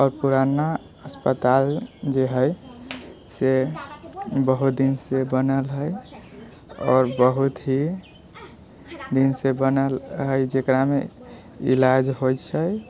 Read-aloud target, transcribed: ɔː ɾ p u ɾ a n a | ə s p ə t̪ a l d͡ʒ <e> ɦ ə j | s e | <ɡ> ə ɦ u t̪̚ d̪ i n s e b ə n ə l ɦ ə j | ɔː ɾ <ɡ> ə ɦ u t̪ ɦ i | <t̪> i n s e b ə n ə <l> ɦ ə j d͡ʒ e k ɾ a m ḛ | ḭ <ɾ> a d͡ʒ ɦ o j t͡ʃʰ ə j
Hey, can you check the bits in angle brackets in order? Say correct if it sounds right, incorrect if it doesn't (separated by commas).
correct, incorrect, incorrect, incorrect, correct, incorrect